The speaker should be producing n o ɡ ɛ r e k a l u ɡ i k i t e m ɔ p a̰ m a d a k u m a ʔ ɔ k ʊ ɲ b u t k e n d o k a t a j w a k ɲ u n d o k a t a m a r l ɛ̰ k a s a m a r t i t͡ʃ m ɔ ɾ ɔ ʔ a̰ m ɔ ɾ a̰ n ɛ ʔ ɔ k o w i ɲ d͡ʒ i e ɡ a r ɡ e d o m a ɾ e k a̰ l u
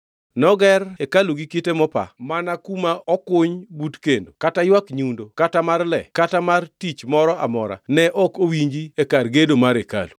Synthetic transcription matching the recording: n ɔ ɡ ɛ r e k a l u ɡ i k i t e m ɔ p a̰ m a n a k u m a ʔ ɔ k ʊ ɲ b u t k e n d o k a t a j w a k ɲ u n d o k a t a m a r l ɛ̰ k a t a m a r t i t͡ʃ m ɔ ɾ ɔ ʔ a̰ m ɔ ɾ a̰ n ɛ ʔ ɔ k o w i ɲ d͡ʒ i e k a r ɡ e d o m a ɾ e k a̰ l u